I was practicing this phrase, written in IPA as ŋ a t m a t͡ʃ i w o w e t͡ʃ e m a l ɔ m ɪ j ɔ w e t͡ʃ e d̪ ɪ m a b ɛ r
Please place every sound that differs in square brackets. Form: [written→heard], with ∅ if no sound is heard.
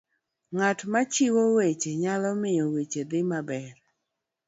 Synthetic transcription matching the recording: ŋ a t m a t͡ʃ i w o w e t͡ʃ e [m→ɲ] a l ɔ m ɪ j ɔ w e t͡ʃ e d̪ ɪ m a b ɛ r